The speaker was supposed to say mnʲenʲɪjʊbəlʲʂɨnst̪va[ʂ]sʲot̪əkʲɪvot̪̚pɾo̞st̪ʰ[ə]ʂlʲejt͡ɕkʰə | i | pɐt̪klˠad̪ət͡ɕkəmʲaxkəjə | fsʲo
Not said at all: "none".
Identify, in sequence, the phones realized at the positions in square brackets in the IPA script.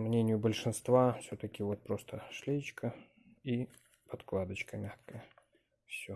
f, ə

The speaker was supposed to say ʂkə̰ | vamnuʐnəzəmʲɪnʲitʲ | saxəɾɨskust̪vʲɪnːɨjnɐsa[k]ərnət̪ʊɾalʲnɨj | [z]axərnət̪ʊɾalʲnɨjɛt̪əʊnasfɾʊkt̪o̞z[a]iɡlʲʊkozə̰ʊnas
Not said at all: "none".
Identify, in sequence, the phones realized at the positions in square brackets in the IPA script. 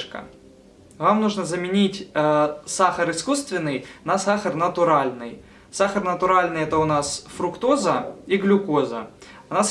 x, s, ə

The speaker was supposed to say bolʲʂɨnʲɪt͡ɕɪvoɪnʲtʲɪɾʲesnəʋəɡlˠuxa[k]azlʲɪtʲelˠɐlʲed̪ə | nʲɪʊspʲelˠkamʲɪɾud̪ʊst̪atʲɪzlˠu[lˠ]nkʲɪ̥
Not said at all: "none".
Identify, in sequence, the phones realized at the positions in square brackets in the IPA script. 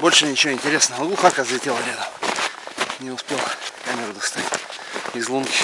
k, none

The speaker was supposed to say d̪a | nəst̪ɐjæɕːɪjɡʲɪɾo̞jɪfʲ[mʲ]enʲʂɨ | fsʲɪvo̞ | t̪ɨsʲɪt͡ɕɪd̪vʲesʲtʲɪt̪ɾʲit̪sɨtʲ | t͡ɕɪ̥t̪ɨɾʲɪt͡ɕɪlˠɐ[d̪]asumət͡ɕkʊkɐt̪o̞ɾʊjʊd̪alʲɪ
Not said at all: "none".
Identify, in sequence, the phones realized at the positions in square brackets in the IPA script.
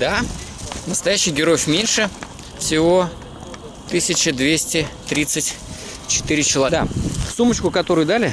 mʲ, d̪

